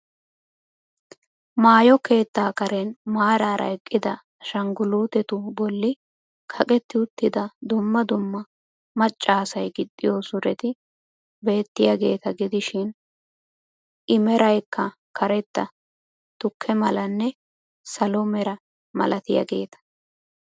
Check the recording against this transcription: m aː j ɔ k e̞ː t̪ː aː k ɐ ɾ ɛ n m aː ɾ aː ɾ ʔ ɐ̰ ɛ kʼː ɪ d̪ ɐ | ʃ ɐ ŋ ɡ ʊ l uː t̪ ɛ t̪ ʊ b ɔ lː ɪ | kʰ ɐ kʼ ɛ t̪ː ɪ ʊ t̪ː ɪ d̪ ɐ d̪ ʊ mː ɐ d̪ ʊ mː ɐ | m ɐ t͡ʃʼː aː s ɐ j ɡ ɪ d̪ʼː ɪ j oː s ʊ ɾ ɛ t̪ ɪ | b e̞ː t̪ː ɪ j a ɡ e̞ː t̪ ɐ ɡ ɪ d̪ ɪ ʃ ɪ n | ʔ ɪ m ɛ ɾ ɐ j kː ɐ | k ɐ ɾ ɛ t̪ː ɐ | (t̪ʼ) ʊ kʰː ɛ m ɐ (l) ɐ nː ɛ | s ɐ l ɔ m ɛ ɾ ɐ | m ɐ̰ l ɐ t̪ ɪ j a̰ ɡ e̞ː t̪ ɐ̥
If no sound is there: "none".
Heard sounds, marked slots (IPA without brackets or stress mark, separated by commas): t̪, l